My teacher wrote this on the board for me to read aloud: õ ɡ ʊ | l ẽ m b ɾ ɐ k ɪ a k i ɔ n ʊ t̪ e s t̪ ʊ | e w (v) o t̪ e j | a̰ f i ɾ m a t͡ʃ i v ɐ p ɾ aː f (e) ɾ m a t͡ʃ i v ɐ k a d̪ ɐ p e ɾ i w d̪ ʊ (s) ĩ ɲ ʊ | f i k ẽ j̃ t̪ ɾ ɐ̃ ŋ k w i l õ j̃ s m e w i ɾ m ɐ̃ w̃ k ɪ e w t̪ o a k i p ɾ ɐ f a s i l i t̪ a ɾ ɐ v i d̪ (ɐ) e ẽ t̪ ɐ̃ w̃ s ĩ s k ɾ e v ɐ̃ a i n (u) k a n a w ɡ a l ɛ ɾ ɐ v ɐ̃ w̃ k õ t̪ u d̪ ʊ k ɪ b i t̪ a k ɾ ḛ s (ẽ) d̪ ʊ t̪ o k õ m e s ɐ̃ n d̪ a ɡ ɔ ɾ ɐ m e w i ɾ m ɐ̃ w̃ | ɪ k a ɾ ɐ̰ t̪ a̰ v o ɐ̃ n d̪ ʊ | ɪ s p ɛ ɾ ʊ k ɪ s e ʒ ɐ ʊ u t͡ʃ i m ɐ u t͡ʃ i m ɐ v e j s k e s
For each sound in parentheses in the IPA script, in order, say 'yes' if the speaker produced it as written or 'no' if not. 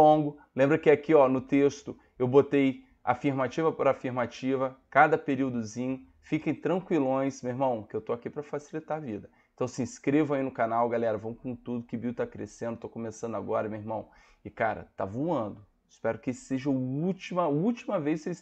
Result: no, no, no, yes, no, yes

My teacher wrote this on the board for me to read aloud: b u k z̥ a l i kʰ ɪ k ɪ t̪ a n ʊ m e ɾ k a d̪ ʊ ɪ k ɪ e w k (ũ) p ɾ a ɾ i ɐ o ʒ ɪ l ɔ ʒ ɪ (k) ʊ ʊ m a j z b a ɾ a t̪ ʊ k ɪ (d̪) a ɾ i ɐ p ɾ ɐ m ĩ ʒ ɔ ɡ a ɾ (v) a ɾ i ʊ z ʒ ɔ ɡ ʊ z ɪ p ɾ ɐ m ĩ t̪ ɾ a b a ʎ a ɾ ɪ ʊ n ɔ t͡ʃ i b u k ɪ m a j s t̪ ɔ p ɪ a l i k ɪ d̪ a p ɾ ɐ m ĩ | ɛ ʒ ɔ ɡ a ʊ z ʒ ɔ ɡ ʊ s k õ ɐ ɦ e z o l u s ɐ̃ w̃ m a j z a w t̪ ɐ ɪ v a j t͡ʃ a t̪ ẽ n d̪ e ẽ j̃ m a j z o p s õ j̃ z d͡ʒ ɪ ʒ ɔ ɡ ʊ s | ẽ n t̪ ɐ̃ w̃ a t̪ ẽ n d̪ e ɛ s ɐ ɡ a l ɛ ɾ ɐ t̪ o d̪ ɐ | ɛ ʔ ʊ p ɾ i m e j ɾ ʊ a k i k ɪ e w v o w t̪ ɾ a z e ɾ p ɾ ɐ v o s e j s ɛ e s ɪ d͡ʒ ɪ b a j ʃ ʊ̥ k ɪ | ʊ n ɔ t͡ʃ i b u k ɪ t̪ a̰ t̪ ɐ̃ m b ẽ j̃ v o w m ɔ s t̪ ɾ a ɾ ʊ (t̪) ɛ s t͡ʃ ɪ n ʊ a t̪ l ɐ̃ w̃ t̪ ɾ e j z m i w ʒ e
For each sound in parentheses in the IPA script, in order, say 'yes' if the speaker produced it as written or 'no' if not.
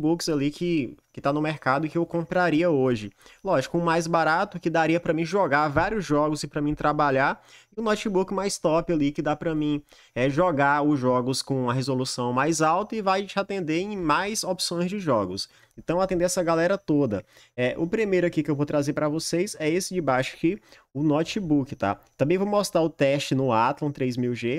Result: no, yes, yes, yes, yes

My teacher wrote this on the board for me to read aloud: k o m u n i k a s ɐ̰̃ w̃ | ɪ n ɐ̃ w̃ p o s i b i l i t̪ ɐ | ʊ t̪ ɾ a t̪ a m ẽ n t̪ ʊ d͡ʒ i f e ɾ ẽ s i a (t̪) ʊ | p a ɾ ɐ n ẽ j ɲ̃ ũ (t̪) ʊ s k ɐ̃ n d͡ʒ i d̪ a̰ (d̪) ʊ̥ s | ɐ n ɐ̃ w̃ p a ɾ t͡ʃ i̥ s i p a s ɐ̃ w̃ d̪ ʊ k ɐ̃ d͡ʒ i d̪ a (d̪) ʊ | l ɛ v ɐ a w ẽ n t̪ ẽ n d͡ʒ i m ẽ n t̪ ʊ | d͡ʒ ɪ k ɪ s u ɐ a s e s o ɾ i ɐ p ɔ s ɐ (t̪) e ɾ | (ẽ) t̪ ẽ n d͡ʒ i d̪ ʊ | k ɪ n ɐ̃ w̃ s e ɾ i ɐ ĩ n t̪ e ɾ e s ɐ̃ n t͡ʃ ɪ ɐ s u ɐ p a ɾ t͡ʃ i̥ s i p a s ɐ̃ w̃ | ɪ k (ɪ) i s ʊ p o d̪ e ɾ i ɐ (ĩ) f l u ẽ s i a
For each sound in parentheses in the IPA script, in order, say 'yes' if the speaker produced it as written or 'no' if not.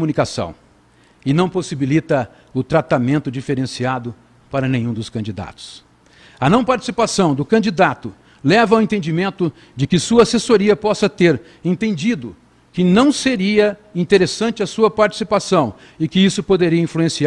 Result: no, no, no, no, yes, yes, yes, yes

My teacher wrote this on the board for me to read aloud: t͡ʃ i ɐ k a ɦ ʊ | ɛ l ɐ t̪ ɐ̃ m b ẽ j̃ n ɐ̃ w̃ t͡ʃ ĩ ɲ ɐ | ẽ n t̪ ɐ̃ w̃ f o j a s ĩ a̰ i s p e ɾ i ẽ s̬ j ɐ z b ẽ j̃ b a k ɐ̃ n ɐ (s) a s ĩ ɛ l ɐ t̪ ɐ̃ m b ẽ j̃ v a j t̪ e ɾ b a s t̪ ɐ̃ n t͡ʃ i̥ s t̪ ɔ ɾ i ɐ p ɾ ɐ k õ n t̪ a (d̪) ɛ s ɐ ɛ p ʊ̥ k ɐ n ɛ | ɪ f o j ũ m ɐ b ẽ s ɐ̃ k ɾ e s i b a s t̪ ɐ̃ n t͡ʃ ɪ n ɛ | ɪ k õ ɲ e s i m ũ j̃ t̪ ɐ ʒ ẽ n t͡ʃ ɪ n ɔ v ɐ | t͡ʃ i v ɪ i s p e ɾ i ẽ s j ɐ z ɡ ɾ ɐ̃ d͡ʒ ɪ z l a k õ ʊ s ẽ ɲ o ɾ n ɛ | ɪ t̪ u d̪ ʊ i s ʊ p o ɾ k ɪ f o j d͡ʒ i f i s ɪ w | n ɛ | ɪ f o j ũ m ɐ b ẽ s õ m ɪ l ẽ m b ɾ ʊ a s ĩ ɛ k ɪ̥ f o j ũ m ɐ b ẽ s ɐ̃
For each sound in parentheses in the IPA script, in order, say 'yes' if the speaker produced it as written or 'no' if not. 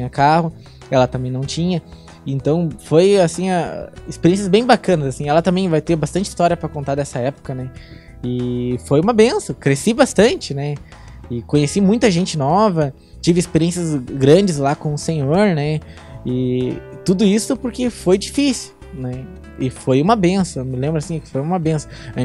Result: no, yes

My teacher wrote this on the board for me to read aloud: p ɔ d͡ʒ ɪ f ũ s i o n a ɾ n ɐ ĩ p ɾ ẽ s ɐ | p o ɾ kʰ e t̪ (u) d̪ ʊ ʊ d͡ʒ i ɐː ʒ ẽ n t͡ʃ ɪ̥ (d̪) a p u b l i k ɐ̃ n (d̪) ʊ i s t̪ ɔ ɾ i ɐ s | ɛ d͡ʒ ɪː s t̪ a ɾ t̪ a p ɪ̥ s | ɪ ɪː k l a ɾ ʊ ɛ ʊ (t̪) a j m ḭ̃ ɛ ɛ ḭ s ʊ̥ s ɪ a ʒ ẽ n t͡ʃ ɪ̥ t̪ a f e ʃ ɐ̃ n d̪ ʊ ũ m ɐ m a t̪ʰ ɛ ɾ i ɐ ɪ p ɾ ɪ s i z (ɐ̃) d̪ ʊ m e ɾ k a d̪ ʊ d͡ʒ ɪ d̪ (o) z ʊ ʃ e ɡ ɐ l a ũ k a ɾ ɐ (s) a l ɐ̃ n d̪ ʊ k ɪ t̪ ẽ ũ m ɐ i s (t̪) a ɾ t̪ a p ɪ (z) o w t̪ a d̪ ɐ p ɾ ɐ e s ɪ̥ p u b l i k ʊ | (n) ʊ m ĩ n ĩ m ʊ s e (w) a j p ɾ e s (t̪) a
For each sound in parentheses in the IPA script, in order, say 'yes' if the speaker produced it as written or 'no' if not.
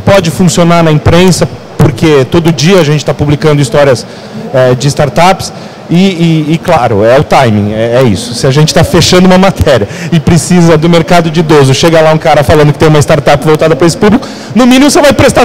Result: no, no, yes, yes, no, yes, no, yes, no, yes, no, yes

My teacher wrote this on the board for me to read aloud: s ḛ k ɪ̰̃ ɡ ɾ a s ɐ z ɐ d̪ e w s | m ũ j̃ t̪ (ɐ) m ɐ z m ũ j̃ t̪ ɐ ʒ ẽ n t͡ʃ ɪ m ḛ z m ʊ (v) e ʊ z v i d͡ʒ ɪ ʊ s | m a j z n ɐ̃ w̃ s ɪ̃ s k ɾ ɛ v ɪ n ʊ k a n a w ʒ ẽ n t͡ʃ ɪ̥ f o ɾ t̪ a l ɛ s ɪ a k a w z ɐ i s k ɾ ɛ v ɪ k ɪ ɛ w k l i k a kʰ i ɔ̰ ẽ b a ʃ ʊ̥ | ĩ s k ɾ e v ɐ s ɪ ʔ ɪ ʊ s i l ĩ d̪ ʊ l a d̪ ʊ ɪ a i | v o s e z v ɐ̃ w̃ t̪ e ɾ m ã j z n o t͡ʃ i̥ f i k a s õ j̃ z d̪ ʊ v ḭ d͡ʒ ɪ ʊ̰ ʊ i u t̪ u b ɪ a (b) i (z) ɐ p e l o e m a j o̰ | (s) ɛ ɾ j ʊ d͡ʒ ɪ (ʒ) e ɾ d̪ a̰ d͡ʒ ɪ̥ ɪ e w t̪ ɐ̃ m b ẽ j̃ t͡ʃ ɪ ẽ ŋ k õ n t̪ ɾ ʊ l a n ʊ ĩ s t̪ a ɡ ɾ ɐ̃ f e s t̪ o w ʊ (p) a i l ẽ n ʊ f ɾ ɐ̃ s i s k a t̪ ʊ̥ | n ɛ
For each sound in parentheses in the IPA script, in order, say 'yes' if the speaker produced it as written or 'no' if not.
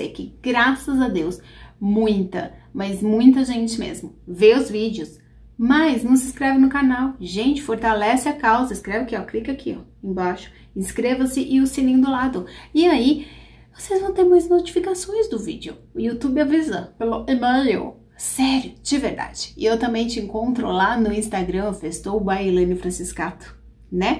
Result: yes, yes, no, yes, yes, no, no

